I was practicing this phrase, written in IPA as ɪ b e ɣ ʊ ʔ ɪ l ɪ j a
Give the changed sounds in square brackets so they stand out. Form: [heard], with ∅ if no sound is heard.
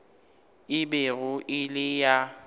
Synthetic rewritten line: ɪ b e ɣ ʊ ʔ ɪ l ɪ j a